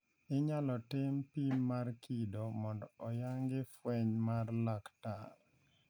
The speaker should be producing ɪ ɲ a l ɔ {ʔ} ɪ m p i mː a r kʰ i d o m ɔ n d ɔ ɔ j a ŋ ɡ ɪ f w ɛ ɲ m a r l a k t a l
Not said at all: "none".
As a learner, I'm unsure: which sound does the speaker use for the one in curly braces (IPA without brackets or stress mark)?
t